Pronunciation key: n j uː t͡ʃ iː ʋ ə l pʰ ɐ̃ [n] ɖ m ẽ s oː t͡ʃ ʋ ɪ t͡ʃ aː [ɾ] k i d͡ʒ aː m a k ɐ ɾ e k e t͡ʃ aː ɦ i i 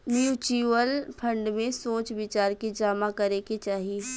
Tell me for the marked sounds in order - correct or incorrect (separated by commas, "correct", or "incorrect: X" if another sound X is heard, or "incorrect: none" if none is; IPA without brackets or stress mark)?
incorrect: ɳ, correct